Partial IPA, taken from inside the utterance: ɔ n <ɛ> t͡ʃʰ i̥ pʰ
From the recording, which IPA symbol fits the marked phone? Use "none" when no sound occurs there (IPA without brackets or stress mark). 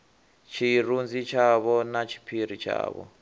a